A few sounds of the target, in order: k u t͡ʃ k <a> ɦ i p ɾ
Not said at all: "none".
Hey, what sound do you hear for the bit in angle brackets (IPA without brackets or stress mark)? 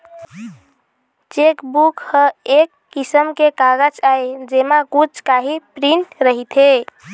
a